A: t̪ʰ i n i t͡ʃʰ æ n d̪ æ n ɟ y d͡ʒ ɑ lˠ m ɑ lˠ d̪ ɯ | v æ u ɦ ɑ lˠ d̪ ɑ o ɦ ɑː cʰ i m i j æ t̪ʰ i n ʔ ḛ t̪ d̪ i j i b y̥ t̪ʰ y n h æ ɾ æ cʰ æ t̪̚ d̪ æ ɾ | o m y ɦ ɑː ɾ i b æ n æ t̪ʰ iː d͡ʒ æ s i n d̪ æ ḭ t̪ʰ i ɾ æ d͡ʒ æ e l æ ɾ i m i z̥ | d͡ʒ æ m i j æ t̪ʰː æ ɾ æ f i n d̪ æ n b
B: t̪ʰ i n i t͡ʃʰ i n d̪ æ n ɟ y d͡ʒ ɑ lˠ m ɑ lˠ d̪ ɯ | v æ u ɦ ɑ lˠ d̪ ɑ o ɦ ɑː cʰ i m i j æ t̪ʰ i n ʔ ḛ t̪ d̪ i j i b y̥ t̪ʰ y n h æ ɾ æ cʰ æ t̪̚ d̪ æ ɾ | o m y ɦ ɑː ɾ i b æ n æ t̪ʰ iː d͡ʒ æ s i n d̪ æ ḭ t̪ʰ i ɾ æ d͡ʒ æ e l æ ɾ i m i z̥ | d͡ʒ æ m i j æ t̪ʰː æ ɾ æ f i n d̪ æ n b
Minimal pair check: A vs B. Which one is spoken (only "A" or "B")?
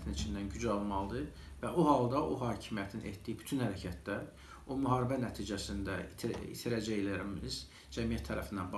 B